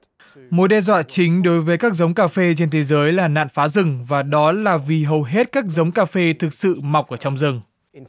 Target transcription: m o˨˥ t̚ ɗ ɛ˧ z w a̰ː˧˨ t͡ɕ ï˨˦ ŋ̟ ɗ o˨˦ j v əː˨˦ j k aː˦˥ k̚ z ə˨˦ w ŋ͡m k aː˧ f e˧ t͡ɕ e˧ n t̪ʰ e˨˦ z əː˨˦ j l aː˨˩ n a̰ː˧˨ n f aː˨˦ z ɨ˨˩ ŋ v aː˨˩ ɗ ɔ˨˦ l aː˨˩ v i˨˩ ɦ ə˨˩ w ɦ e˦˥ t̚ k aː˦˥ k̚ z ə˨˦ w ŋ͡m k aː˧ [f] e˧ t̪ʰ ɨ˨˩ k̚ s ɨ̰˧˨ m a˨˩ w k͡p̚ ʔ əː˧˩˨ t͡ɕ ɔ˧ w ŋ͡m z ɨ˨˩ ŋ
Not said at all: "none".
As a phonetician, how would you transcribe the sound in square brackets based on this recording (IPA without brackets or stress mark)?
f